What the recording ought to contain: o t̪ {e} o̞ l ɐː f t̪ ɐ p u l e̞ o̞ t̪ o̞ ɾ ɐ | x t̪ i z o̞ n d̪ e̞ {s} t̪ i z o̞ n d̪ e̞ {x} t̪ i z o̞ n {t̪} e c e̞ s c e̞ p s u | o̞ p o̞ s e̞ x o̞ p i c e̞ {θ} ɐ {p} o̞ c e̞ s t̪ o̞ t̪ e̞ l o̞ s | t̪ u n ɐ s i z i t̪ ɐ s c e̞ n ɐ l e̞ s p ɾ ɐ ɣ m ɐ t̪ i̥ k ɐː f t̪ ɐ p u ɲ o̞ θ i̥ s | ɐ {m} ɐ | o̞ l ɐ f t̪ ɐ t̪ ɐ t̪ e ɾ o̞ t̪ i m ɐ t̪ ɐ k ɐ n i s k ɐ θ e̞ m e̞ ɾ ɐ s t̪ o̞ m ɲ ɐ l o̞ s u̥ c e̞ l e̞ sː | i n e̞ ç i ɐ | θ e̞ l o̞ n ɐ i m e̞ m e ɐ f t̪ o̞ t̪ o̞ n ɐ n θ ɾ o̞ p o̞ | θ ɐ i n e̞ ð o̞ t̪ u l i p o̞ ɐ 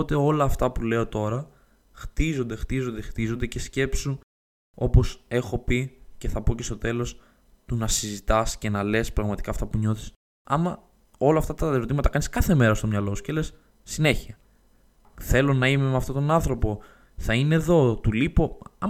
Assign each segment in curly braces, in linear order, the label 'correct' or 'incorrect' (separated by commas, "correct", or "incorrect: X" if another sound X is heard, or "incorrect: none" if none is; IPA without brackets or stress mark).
correct, incorrect: x, correct, incorrect: d̪, correct, correct, correct